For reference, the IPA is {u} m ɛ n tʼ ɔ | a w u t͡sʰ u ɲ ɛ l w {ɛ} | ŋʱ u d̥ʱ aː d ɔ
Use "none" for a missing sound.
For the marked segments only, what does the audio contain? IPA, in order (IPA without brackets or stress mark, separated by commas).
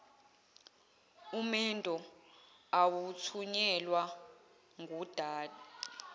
u, a